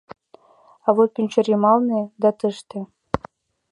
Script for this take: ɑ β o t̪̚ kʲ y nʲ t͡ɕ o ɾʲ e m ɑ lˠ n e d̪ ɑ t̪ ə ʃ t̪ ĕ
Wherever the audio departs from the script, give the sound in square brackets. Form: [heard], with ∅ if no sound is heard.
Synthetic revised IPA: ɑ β o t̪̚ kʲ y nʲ t͡ɕ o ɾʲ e m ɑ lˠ n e d̪ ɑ t̪ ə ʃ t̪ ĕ